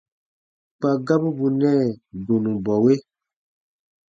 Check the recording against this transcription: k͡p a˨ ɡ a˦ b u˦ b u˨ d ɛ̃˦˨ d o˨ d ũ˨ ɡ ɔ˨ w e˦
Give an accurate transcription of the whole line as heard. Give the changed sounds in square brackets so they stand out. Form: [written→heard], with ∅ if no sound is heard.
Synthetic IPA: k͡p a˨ ɡ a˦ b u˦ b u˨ [d→n] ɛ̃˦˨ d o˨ [d→n] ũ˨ [ɡ→b] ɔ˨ w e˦